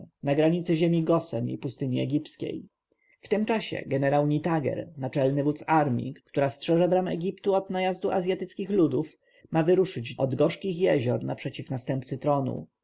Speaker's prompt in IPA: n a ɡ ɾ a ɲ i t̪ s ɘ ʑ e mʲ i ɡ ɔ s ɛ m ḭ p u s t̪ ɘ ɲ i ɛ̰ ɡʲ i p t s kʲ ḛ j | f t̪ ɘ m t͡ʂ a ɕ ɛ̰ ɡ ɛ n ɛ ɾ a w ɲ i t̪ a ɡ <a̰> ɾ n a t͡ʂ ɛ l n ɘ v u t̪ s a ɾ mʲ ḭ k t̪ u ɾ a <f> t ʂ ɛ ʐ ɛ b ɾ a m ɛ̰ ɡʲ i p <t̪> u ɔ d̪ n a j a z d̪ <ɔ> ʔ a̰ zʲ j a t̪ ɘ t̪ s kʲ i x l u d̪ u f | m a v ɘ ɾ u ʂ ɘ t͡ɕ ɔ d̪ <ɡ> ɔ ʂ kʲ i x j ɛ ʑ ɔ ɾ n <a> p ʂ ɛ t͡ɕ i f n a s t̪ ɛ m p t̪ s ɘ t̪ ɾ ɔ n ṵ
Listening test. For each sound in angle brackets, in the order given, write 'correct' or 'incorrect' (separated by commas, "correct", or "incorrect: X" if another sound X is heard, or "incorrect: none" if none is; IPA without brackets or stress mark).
incorrect: ɛ̰, incorrect: s, correct, incorrect: u, correct, correct